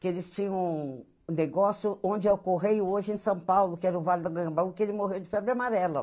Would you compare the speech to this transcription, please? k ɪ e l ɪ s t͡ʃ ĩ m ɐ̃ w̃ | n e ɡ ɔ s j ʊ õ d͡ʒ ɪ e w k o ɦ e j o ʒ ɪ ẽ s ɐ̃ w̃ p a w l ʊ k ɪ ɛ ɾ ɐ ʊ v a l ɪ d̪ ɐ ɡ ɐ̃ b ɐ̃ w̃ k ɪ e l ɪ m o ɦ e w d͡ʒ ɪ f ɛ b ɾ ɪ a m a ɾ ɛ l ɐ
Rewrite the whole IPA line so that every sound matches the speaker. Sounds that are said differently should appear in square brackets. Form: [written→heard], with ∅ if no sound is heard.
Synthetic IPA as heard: k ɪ e l ɪ s t͡ʃ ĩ [m→ɲ] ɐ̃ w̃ | n e ɡ ɔ s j ʊ õ d͡ʒ ɪ e w k o ɦ e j o ʒ ɪ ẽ s ɐ̃ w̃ p a w l ʊ k ɪ ɛ ɾ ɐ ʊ v a l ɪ d̪ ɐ ɡ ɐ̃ b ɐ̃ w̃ k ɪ e l ɪ m o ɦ e w d͡ʒ ɪ f ɛ b ɾ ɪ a m a ɾ ɛ l ɐ

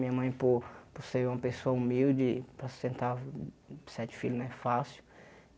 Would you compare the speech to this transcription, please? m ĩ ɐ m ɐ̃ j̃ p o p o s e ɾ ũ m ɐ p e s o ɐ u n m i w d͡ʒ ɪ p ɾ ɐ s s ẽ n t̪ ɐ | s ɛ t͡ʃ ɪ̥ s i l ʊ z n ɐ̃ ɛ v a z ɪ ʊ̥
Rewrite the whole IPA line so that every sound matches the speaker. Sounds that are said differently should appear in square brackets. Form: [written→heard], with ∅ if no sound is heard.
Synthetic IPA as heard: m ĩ ɐ m ɐ̃ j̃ p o p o s e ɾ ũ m ɐ p e s o ɐ u [n→∅] m i w d͡ʒ ɪ p ɾ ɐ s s ẽ n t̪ [ɐ→a] | s ɛ t͡ʃ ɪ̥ [s→f] i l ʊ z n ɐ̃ ɛ [v→f] a [z→s] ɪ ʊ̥

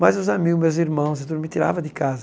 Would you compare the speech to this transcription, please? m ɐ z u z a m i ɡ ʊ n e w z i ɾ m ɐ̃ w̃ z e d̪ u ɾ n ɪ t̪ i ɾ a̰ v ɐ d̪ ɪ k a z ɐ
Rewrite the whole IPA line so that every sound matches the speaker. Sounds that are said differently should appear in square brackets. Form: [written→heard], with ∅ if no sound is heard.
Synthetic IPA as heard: m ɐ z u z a m i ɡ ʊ [n→m] e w z i ɾ m ɐ̃ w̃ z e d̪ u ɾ [n→m] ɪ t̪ i ɾ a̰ v ɐ d̪ ɪ k a z ɐ

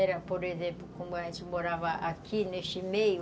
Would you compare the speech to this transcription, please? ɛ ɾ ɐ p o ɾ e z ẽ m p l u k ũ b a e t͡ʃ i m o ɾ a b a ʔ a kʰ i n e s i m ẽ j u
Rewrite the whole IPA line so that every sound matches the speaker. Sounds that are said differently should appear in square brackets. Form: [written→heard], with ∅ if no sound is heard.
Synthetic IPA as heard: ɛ ɾ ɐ p o ɾ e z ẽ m p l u k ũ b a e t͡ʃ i m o ɾ a [b→v] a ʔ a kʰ i n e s i m [ẽ→e] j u

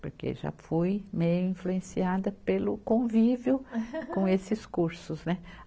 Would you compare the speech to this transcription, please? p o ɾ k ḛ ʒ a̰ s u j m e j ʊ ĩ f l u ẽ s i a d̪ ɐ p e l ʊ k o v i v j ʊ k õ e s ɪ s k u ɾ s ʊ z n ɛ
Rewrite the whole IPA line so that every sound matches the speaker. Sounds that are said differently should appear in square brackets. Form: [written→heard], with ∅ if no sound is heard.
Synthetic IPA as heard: p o ɾ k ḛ ʒ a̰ [s→f] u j m e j ʊ ĩ f l u ẽ s i a d̪ ɐ p e l ʊ k [o→õ] v i v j ʊ k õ e s ɪ s k u ɾ s ʊ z n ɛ

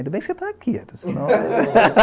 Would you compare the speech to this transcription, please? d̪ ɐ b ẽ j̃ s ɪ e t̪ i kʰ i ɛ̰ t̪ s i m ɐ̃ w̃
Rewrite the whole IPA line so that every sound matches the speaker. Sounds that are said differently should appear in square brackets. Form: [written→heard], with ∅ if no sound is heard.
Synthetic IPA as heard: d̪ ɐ b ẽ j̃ s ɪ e t̪ [i→a] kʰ i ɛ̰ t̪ s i [m→n] ɐ̃ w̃

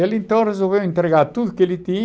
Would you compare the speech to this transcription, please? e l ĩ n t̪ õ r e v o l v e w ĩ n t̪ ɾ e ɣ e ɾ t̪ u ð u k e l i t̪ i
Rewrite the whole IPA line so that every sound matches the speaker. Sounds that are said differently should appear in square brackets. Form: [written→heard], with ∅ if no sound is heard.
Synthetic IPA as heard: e l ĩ n t̪ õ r e [v→z] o l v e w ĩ n t̪ ɾ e ɣ [e→a] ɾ t̪ u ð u k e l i t̪ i

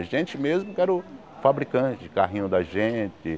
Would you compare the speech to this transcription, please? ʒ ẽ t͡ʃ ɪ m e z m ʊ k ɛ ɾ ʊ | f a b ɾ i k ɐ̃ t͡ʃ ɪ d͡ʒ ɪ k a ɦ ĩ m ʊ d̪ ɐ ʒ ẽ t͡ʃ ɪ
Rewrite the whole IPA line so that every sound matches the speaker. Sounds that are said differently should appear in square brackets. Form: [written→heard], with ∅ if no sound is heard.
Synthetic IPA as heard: ʒ ẽ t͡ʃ ɪ m e z m ʊ k ɛ ɾ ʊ | f a b ɾ i k ɐ̃ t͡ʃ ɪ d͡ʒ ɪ k a ɦ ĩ [m→ɲ] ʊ d̪ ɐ ʒ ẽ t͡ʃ ɪ

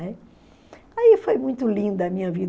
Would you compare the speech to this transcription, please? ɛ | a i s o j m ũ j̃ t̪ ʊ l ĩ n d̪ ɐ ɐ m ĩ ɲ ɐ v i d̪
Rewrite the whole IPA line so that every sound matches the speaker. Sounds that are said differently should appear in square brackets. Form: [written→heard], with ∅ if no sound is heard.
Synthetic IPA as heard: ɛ | a i [s→f] o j m ũ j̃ t̪ ʊ l ĩ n d̪ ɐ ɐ m ĩ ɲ ɐ v i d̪

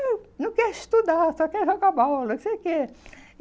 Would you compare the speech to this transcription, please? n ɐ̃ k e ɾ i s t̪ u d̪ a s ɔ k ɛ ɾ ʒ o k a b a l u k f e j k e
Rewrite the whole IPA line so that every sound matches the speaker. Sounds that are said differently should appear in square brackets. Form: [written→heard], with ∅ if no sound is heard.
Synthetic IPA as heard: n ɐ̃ k [e→ɛ] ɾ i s t̪ u d̪ a s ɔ k ɛ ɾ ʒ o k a b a l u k [f→s] e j k e

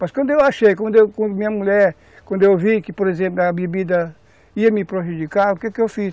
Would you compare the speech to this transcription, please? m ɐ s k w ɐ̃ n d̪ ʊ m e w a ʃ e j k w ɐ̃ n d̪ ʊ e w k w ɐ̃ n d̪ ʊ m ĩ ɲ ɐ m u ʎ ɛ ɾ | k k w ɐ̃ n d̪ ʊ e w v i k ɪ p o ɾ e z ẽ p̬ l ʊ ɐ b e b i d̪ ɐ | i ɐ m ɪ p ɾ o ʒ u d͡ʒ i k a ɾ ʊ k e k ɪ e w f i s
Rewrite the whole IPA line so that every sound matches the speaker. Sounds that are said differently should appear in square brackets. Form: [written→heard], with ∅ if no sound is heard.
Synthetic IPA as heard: m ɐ s k w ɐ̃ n d̪ ʊ [m→∅] e w a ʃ e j k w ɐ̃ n d̪ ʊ e w k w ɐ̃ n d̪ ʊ m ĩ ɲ ɐ m u ʎ ɛ ɾ | k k w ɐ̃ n d̪ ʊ e w v i k ɪ p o ɾ e z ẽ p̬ l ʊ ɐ b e b i d̪ ɐ | i ɐ m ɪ p ɾ o ʒ u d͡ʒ i k a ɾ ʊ k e k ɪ e w f i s

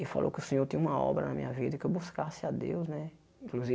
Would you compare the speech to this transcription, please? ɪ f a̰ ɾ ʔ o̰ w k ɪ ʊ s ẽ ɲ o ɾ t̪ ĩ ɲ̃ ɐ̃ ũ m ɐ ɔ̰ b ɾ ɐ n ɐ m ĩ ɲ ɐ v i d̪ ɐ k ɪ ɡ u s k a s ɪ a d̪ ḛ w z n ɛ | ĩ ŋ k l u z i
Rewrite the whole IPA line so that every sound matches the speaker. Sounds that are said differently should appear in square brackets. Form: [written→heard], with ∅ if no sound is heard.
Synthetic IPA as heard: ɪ f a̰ [ɾ→l] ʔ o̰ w k ɪ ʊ s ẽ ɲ o ɾ t̪ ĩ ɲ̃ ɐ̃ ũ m ɐ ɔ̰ b ɾ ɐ n ɐ m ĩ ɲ ɐ v i d̪ ɐ k ɪ [ɡ→b] u s k a s ɪ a d̪ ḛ w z n ɛ | ĩ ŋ k l u z i

